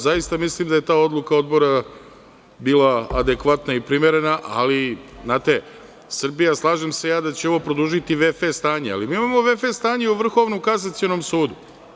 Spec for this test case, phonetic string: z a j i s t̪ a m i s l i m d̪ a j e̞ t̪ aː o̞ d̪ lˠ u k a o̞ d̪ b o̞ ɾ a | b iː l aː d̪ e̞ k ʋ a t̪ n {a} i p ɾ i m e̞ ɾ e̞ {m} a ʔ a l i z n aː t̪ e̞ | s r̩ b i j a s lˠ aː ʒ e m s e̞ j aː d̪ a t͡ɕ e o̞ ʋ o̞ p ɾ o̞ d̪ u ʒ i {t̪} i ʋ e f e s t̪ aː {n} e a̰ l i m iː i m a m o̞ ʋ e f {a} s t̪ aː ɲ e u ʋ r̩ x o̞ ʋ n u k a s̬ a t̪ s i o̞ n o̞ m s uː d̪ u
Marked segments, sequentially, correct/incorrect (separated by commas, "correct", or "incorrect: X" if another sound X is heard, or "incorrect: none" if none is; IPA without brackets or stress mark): correct, incorrect: n, correct, incorrect: ɲ, incorrect: e